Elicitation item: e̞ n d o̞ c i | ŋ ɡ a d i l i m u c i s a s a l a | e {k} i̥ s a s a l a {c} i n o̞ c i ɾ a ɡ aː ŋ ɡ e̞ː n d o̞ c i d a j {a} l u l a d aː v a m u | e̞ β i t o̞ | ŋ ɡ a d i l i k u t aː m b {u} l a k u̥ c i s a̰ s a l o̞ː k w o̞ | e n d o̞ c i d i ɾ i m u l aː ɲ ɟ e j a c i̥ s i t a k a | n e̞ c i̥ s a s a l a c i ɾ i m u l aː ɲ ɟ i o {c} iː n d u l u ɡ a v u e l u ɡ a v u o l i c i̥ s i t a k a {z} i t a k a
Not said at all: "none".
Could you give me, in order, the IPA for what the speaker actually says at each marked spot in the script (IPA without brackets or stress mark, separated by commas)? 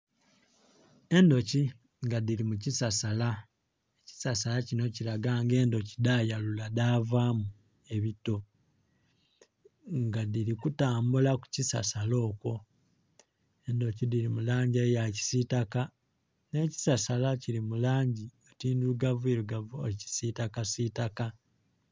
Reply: c, c, a, u, t, s